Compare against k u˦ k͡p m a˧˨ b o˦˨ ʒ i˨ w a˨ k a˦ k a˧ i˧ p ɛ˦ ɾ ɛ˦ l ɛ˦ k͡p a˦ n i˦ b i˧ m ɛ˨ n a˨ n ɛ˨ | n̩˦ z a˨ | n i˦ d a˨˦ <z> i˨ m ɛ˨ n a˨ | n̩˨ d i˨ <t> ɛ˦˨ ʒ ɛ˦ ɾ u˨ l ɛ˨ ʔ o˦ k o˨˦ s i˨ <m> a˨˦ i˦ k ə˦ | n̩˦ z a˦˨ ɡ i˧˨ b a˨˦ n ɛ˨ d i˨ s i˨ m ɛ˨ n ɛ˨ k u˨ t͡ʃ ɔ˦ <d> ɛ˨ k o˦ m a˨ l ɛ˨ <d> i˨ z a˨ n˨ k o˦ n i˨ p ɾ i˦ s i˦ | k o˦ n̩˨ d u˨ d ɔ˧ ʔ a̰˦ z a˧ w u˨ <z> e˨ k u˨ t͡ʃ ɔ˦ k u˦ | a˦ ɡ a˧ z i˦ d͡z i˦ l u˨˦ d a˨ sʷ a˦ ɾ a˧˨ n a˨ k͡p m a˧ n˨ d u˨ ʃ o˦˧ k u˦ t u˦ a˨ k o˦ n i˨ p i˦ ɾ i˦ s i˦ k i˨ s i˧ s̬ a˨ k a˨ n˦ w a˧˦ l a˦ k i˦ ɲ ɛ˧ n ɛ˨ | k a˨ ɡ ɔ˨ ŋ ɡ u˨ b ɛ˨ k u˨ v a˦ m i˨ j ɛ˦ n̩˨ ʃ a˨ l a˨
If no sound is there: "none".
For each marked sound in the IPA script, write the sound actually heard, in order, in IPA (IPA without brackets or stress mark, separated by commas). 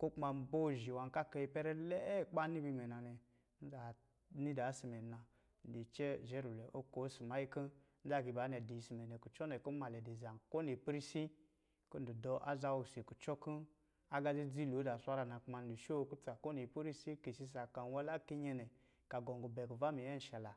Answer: s, t͡ʃ, m, n, d, s